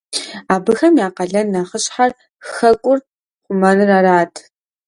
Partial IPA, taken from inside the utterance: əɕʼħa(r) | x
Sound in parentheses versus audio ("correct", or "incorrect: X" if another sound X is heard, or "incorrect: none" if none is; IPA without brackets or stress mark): correct